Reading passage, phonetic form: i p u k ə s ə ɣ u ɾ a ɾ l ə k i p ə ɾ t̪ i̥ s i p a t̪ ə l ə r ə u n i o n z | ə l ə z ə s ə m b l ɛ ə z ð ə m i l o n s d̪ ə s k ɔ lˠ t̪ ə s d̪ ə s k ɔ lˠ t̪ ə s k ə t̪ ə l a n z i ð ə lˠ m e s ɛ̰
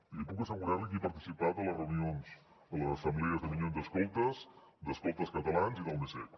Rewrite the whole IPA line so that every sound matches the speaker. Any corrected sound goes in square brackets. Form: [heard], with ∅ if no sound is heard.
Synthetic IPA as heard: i p u k ə s ə ɣ u ɾ a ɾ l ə k i p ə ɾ t̪ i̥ s i p a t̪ ə l ə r ə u n i o n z | ə l ə z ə s ə m b l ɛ ə z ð ə m i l o n [z] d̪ ə s k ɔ lˠ t̪ ə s d̪ ə s k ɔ lˠ t̪ ə s k ə t̪ ə l a n z i ð ə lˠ m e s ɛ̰